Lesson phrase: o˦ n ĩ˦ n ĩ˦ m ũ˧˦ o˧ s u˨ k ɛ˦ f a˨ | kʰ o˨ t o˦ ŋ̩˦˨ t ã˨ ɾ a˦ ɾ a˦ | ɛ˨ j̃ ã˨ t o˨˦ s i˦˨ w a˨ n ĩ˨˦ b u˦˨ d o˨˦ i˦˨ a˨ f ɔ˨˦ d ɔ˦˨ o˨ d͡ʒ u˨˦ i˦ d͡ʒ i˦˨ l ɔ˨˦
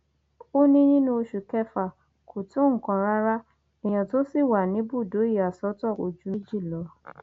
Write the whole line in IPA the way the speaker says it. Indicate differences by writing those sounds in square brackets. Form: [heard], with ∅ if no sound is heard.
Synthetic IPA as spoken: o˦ n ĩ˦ n ĩ˦ [n] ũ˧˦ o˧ [ʃ] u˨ k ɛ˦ f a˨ | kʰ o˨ t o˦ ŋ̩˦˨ [k] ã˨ ɾ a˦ ɾ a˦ | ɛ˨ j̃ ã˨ t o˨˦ s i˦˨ w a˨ n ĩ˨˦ b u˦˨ d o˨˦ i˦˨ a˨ [s] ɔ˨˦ [t] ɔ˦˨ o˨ d͡ʒ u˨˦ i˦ d͡ʒ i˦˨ l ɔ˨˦

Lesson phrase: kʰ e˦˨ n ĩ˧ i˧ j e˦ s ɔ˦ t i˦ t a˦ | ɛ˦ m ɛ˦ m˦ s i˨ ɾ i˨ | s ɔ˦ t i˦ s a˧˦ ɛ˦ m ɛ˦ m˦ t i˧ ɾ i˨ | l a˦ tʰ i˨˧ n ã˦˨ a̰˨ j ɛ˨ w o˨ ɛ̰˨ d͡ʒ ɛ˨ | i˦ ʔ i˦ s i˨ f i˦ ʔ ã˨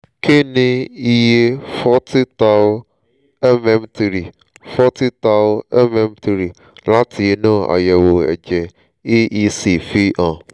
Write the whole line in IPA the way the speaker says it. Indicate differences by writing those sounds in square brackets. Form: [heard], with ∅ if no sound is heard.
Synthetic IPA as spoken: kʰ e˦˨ n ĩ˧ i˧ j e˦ [f] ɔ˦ t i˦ t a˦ | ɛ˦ m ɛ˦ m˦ [t] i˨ ɾ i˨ | [f] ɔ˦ t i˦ [t] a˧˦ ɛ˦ m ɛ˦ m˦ t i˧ ɾ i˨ | l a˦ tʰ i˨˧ n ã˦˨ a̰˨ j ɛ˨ w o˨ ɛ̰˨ d͡ʒ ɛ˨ | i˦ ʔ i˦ s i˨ f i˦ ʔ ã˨

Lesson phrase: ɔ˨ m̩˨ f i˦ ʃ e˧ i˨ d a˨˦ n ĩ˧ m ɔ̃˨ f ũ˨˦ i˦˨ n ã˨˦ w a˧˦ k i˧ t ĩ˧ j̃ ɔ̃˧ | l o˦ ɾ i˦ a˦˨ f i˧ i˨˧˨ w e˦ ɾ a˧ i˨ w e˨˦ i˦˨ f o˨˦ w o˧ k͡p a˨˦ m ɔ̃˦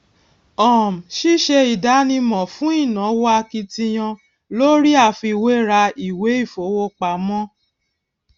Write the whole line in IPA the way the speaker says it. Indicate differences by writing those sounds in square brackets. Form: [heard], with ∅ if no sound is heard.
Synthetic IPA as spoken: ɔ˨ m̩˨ [ʃ] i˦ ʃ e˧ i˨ d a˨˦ n ĩ˧ m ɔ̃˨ f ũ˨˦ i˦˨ n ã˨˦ w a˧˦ k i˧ t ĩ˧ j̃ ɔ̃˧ | l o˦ ɾ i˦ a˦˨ f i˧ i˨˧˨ w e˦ ɾ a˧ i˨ w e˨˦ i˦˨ f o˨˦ w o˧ k͡p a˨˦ m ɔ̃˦

